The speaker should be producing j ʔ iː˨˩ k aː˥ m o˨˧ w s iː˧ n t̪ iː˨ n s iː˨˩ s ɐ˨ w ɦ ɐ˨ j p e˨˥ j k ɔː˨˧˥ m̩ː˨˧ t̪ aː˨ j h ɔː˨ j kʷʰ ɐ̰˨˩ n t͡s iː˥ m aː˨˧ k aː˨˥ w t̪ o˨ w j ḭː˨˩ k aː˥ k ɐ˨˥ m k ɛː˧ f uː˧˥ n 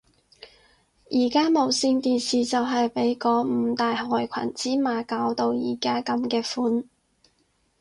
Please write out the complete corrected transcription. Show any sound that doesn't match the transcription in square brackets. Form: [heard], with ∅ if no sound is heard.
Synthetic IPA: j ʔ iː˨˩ k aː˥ m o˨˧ w s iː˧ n t̪ iː˨ n s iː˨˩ [t͡s] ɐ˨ w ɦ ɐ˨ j p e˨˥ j k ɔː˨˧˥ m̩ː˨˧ t̪ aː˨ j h ɔː˨ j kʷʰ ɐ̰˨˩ n t͡s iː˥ m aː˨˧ k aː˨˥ w t̪ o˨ w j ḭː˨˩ k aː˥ k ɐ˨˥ m k ɛː˧ f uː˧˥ n